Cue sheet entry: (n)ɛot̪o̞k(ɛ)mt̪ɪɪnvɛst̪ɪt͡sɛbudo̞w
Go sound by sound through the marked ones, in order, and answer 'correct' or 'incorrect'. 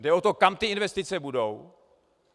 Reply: incorrect: d, incorrect: a

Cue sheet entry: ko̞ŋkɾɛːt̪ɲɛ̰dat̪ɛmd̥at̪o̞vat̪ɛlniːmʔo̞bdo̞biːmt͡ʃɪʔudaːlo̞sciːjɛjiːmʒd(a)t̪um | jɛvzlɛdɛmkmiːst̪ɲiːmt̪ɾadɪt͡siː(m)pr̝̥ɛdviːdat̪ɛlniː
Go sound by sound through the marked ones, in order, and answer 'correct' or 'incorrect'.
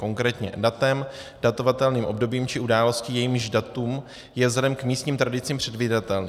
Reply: correct, correct

